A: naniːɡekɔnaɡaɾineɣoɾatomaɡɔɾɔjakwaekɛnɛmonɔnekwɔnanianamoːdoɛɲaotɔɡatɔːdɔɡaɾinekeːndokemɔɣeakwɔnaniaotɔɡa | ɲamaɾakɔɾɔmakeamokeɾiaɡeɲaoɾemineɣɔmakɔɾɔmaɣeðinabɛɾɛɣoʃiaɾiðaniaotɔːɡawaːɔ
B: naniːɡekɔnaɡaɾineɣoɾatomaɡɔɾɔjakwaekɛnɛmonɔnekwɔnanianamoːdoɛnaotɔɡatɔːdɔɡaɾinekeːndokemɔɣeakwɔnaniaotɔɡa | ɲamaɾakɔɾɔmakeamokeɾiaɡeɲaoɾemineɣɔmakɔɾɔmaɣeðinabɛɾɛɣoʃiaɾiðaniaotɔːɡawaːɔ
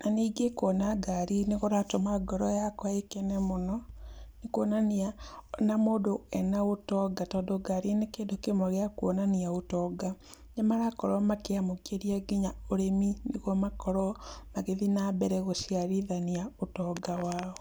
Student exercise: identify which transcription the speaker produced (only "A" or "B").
B